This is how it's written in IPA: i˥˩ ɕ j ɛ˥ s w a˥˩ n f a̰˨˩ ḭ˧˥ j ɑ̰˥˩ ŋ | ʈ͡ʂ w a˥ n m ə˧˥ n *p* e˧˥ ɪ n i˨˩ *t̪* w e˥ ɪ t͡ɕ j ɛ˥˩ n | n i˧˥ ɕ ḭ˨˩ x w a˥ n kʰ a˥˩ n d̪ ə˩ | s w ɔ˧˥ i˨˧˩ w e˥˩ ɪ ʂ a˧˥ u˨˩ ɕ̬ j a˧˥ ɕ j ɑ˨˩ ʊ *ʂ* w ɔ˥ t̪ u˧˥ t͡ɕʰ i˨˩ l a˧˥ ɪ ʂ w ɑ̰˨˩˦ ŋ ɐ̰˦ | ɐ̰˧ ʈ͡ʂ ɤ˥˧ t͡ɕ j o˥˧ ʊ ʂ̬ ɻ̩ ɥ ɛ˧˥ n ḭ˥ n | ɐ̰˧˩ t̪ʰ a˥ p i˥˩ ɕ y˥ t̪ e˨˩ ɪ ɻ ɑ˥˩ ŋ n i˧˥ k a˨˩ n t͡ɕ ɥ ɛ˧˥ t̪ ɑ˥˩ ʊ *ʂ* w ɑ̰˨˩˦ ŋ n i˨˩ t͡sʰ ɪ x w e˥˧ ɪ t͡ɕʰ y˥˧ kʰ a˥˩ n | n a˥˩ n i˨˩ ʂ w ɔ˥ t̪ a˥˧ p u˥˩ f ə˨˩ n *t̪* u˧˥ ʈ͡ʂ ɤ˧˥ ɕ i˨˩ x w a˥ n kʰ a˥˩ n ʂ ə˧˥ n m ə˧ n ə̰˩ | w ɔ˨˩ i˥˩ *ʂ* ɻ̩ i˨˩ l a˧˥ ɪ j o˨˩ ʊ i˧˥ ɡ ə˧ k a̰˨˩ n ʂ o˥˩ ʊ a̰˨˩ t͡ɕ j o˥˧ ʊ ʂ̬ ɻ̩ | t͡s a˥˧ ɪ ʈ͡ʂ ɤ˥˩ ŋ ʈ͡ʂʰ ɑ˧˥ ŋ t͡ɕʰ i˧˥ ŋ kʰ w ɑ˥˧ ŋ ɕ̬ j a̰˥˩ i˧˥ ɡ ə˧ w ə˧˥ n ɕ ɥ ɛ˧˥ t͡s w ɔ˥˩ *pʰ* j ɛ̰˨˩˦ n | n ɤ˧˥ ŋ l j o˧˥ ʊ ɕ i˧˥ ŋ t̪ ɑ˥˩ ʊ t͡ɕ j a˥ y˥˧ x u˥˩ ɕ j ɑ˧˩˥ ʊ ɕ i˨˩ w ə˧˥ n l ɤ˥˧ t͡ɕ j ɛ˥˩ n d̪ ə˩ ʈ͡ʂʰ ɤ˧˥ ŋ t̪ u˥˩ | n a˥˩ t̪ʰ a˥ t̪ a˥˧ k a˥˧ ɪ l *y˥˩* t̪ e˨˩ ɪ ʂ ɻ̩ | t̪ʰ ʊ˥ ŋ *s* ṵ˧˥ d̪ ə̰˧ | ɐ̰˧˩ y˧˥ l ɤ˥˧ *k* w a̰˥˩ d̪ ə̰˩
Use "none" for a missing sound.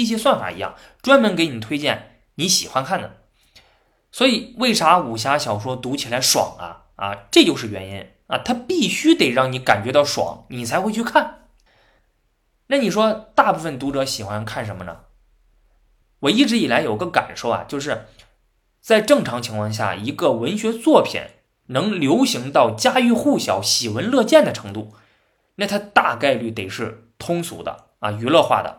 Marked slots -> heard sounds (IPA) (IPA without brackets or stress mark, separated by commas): k, t̪ʰ, ʂ, ʂ, t̪, ʈ͡ʂ, pʰ, y˥˩, s, x